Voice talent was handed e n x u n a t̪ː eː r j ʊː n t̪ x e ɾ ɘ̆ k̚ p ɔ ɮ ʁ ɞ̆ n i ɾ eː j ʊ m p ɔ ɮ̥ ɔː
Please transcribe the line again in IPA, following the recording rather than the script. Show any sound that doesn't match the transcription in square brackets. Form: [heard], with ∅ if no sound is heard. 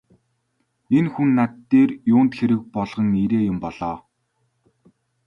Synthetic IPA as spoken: e n x u [nː] a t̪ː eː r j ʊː n t̪ x e ɾ ɘ̆ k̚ p ɔ ɮ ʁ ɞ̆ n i ɾ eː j ʊ m p ɔ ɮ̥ ɔː

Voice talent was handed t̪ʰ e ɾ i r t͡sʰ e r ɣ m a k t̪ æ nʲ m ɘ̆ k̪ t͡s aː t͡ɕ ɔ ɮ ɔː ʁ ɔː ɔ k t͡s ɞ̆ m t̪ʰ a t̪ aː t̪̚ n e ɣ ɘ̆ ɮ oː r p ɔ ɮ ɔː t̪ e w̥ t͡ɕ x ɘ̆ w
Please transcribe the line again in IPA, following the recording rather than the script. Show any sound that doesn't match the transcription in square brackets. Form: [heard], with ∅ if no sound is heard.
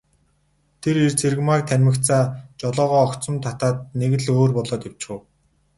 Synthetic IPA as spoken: t̪ʰ e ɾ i r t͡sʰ e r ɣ m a k [t̪ʰ] æ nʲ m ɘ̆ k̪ t͡s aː t͡ɕ ɔ ɮ ɔː ʁ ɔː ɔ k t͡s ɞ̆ m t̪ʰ a t̪ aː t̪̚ n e ɣ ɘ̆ ɮ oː r p ɔ ɮ ɔː t̪ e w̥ t͡ɕ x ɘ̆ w

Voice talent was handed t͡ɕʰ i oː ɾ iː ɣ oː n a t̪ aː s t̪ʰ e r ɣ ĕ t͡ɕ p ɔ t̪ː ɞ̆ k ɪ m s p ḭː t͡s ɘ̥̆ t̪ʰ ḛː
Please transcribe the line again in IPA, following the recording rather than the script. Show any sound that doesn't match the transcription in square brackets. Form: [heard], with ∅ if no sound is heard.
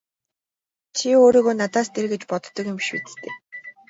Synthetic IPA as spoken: t͡ɕʰ i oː ɾ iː ɣ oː n a t̪ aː s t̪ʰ e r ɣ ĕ t͡ɕ p ɔ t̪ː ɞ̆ k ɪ m [ʃ] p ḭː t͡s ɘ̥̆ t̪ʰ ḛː

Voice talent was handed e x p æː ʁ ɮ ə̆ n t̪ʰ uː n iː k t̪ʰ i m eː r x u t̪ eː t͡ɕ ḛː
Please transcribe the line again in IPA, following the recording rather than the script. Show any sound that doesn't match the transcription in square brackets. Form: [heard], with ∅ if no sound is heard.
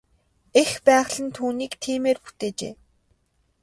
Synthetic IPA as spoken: e x p æː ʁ ɮ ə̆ n t̪ʰ uː n iː k t̪ʰ [iː] m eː r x u t̪ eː t͡ɕ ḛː

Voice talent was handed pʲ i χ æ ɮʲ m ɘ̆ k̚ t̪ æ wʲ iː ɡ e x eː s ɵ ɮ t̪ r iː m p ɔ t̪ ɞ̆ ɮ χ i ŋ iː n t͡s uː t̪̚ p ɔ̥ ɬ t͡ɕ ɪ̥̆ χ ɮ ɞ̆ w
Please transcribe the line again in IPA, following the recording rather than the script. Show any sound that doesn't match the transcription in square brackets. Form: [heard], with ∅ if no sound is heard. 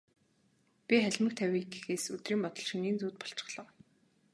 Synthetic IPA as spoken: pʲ i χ æ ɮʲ m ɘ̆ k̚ [t̪ʰ] æ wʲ iː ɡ e x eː s ɵ [∅] t̪ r iː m p ɔ t̪ ɞ̆ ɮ [ʃ] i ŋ iː n t͡s uː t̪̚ p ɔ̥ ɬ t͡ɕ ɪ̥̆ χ ɮ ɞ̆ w

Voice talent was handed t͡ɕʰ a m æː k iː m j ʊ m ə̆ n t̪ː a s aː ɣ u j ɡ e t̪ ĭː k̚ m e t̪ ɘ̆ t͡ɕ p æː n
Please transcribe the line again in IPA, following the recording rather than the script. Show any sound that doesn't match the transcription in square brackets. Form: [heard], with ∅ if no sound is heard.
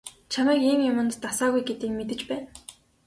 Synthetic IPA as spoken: t͡ɕʰ a m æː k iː m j ʊ m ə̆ n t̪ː a s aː ɣ u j ɡ e t̪ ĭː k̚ m e t̪ ɘ̆ t͡ɕ p æː n

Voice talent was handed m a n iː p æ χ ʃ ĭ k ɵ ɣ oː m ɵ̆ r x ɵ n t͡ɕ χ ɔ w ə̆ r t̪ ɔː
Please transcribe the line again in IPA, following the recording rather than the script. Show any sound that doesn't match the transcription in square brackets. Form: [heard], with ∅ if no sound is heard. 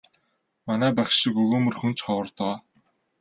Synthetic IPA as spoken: m a n [æː] p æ χ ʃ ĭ k ɵ ɣ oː m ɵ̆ r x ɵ n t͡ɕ χ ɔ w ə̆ r t̪ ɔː

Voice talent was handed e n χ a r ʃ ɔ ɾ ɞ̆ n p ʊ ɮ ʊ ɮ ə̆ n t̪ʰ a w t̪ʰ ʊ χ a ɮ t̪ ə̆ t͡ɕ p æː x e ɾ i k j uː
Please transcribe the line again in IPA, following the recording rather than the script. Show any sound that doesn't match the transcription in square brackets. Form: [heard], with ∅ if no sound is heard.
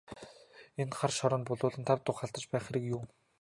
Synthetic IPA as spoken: e n χ a r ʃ ɔ ɾ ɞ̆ n p ʊ ɮ [ʊː] ɮ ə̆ n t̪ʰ a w [t̪] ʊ χ a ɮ t̪ ə̆ t͡ɕ p æː [χ] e ɾ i k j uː

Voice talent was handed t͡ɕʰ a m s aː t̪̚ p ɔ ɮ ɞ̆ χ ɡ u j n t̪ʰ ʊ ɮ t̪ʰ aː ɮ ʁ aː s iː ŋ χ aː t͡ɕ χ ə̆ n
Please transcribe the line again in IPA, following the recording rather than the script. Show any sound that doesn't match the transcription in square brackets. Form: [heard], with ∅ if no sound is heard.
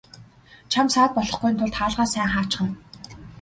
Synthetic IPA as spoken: t͡ɕʰ a m s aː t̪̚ p ɔ ɮ ɞ̆ χ ɡ u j n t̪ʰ ʊ ɮ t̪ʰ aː ɮ ʁ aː s [æː] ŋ χ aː t͡ɕ χ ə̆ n

